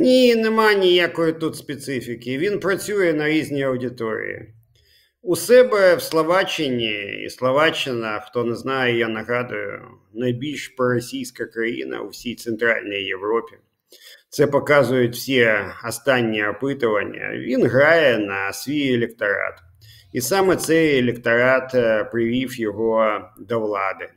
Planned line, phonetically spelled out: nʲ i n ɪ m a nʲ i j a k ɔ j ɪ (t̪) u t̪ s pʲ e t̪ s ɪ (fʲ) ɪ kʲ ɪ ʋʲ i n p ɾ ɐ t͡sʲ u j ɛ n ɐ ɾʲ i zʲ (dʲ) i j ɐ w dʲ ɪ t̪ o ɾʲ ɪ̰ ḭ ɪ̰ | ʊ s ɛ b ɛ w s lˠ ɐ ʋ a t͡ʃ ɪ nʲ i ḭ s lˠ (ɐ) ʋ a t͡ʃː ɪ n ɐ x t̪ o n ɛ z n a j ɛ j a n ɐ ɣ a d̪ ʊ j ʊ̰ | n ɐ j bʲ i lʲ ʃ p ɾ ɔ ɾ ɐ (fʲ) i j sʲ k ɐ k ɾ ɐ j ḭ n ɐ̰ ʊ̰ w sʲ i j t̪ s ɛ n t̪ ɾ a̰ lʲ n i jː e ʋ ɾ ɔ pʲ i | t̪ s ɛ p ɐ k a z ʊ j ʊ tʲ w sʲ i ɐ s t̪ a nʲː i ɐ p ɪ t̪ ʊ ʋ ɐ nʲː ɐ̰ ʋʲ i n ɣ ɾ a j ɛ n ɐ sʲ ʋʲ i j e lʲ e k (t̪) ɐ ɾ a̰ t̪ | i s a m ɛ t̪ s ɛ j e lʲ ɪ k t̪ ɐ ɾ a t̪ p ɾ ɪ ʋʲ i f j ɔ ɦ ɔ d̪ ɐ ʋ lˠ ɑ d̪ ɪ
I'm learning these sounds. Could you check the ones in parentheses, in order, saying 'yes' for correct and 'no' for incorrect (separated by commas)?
yes, yes, no, yes, no, yes